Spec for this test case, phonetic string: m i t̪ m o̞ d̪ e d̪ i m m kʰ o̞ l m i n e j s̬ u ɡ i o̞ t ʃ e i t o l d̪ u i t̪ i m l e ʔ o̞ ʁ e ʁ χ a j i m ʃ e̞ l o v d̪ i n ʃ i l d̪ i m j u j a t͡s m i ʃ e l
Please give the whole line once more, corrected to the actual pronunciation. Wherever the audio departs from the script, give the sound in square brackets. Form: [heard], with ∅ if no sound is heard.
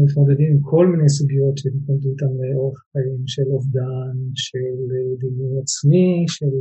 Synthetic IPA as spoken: m i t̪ m o̞ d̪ e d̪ i m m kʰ o̞ l m i n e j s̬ u ɡ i o̞ t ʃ e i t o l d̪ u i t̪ [a] m l e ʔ o̞ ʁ e [χ] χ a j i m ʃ e̞ l o v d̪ [a] n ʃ [e] l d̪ i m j u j a t͡s m i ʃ e l